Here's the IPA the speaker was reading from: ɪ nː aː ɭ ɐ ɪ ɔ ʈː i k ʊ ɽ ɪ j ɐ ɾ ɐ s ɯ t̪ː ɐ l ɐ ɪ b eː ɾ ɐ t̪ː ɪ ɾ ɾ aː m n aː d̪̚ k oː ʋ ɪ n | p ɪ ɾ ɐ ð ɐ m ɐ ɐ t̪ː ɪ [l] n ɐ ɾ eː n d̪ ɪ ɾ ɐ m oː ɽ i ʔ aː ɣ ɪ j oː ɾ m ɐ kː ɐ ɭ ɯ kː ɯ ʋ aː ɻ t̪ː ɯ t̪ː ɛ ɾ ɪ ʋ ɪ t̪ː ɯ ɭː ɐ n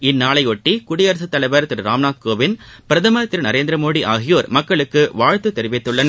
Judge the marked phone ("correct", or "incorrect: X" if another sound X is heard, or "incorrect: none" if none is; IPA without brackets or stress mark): incorrect: ɾ